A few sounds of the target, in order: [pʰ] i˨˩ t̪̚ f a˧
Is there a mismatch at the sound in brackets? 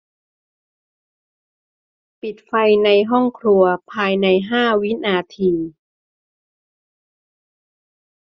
yes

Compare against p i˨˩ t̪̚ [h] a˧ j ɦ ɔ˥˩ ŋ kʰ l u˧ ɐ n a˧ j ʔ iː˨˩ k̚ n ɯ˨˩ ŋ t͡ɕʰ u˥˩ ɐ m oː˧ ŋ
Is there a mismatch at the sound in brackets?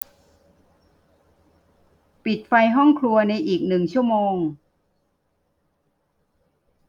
yes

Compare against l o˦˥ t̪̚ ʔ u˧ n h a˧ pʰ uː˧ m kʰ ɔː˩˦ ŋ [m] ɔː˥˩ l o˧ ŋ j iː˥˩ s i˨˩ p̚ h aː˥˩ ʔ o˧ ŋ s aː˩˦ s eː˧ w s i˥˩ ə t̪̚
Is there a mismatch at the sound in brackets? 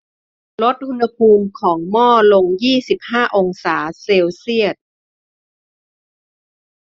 no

